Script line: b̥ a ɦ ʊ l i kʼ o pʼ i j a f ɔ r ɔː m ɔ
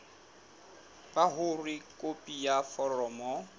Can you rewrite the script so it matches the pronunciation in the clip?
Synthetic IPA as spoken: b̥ a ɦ ʊ r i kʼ o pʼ i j a f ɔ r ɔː m ɔ